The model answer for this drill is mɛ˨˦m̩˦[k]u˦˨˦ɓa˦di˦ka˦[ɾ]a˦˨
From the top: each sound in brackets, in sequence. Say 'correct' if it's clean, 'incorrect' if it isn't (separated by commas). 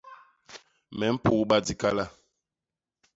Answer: incorrect, incorrect